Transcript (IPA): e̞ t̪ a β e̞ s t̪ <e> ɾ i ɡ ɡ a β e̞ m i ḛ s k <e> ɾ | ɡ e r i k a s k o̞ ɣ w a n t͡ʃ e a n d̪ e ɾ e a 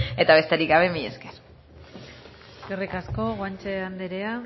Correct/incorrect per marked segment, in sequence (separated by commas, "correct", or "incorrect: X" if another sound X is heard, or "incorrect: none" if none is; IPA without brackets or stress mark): correct, correct